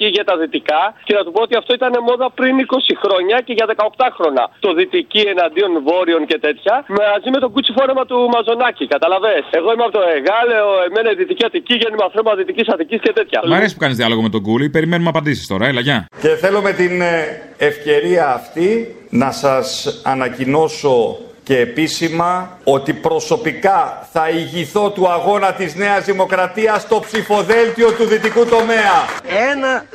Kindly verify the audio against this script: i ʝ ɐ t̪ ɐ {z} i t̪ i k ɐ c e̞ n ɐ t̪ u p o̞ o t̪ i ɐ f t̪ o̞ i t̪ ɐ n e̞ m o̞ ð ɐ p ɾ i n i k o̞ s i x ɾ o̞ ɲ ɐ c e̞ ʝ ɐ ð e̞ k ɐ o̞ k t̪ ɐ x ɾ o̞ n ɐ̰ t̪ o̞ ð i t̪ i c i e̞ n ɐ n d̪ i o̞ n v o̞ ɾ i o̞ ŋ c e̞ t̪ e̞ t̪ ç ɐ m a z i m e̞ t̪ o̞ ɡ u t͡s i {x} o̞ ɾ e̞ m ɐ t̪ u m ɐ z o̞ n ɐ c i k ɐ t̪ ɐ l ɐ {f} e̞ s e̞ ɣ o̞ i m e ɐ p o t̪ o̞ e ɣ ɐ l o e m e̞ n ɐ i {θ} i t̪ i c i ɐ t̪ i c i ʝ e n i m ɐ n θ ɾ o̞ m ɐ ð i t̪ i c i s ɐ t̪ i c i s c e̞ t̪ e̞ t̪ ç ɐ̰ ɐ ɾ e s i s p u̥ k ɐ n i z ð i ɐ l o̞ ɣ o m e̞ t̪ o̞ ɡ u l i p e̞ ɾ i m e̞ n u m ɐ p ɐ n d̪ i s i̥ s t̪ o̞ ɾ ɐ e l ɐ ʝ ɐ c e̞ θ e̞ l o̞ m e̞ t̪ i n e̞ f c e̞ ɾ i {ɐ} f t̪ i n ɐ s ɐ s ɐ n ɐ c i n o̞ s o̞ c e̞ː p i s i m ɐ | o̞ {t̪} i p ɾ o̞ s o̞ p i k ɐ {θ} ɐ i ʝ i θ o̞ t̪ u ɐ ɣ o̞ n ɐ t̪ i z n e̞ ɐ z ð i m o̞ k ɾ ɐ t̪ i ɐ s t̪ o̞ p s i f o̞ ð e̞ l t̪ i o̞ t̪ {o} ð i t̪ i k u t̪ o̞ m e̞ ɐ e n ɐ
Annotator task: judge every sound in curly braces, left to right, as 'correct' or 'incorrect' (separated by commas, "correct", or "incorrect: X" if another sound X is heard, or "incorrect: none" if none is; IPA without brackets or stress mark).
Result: incorrect: ð, incorrect: f, incorrect: v, incorrect: ð, incorrect: ɐː, correct, correct, incorrect: u